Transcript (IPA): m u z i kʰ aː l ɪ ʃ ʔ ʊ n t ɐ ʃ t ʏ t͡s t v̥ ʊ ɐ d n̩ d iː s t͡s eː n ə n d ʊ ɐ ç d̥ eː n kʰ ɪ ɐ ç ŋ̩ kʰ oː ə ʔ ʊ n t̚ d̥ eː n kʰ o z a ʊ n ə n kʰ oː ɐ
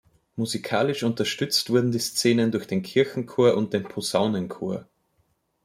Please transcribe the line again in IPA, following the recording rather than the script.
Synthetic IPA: m u z i kʰ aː l ɪ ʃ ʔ ʊ n t ɐ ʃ t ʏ t͡s t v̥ ʊ ɐ d n̩ d iː s t͡s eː n ə n d ʊ ɐ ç d̥ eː n kʰ ɪ ɐ ç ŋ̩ kʰ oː ɐ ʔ ʊ n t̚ d̥ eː n pʰ o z a ʊ n ə n kʰ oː ɐ

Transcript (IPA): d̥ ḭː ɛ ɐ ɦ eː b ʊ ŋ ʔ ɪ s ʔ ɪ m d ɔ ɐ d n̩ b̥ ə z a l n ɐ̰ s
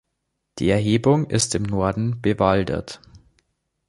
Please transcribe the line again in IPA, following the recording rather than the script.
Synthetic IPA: d̥ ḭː ɛ ɐ ɦ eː b ʊ ŋ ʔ ɪ s t ɪ m n ɔ ɐ d n̩ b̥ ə v a l d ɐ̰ t

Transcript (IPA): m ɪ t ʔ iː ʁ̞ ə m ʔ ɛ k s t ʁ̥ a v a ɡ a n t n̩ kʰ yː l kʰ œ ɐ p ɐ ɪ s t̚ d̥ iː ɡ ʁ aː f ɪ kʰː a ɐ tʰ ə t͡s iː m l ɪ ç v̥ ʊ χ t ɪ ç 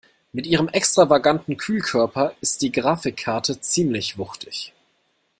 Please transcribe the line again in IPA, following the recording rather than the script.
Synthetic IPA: m ɪ t ʔ iː ʁ̞ ə m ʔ ɛ k s t ʁ̥ a v a ɡ a n t n̩ kʰ yː l kʰ œ ɐ p ɐ ɪ s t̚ d̥ iː ɡ ʁ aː f ɪ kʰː a ɐ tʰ ə t͡s iː m l ɪ ç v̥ ʊ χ t ɪ ç

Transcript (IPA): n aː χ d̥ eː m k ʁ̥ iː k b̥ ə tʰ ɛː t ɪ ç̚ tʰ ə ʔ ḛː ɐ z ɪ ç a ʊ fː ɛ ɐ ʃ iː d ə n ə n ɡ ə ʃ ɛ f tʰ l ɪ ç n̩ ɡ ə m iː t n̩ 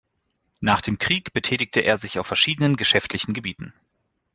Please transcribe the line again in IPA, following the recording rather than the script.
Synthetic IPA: n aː χ d̥ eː m k ʁ̥ iː k b̥ ə tʰ ɛː t ɪ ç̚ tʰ ə ʔ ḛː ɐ z ɪ ç a ʊ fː ɛ ɐ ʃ iː d ə n ə n ɡ ə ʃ ɛ f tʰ l ɪ ç n̩ ɡ ə b iː t n̩

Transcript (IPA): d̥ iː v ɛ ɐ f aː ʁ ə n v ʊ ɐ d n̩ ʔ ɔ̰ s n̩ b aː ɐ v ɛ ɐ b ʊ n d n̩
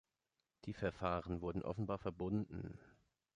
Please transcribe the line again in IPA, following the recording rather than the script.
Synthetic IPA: d̥ iː f ɛ ɐ f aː ʁ ə n v ʊ ɐ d n̩ ʔ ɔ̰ f n̩ b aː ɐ f ɛ ɐ b ʊ n d n̩

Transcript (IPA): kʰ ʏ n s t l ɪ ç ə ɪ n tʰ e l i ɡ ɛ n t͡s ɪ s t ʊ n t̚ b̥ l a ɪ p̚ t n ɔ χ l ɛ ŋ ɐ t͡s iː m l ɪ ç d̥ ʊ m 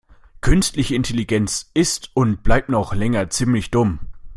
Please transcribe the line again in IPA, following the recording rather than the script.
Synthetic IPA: kʰ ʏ n s t l ɪ ç ə ɪ n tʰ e l i ɡ ɛ n t͡s ɪ s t ʊ n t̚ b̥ l a ɪ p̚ t n ɔ χ l ɛ ŋ ɐ t͡s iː m l ɪ ç d̥ ʊ m

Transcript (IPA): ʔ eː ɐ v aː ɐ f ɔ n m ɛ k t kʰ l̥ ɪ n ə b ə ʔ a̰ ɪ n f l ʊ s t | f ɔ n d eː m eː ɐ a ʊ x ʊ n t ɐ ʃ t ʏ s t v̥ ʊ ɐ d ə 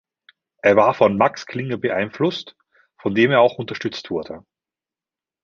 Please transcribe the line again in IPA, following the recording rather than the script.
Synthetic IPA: ʔ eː ɐ v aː ɐ f ɔ n m a k s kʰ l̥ ɪ ŋ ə b ə ʔ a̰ ɪ n f l ʊ s t | f ɔ n d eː m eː ɐ a ʊ x ʊ n t ɐ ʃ t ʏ t͡s t v̥ ʊ ɐ d ə

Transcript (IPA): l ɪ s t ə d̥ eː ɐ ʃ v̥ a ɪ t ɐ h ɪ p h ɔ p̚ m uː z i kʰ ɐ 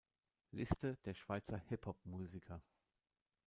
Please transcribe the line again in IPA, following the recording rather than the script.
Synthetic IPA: l ɪ s t ə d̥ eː ɐ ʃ v̥ a ɪ t͡s ɐ h ɪ p h ɔ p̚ m uː z i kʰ ɐ

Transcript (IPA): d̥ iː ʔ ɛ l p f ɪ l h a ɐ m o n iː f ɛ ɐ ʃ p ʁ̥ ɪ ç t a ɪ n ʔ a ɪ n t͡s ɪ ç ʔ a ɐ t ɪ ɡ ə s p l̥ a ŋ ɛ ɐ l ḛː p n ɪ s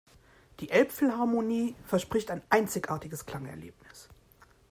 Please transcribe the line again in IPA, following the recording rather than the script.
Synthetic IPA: d̥ iː ʔ ɛ l p f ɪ l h a ɐ m o n iː f ɛ ɐ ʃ p ʁ̥ ɪ ç t a ɪ n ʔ a ɪ n t͡s ɪ ç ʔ a ɐ t ɪ ɡ ə s k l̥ a ŋ ɛ ɐ l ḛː p n ɪ s

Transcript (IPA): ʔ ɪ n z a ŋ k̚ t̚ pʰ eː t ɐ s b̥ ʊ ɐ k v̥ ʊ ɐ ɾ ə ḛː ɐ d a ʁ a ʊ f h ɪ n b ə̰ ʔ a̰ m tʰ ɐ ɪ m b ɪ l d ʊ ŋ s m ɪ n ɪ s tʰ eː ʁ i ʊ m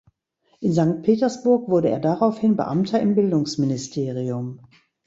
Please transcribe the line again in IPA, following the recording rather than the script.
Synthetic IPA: ʔ ɪ n z a ŋ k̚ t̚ pʰ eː t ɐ s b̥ ʊ ɐ k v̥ ʊ ɐ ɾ ə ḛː ɐ d a ʁ a ʊ f h ɪ n b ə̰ ʔ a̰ m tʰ ɐ ɪ m b ɪ l d ʊ ŋ s m ɪ n ɪ s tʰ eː ʁ i ʊ m

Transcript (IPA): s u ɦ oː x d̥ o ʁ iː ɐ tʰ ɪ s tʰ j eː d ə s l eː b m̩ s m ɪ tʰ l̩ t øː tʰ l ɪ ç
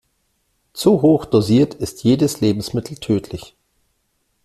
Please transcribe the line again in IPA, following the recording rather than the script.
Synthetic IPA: t͡s u ɦ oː x d̥ o z iː ɐ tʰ ɪ s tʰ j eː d ə s l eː b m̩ s m ɪ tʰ l̩ tʰ øː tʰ l ɪ ç

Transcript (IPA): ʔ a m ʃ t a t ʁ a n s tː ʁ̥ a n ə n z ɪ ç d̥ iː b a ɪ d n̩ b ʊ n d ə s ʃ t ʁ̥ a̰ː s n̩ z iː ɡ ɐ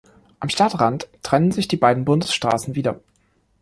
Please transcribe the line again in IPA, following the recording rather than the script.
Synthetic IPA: ʔ a m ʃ t a t ʁ a n t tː ʁ̥ ɛ n ə n z ɪ ç d̥ iː b a ɪ d n̩ b ʊ n d ə s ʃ t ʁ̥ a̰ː s n̩ v iː d ɐ

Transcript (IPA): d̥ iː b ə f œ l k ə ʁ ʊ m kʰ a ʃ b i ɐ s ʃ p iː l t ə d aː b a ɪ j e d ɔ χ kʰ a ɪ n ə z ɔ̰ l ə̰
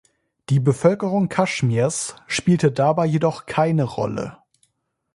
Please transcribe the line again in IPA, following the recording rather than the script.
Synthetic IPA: d̥ iː b ə f œ l k ə ʁ ʊ ŋ kʰ a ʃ m i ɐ s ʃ p iː l t ə d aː b a ɪ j e d ɔ χ kʰ a ɪ n ə ʁ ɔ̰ l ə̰

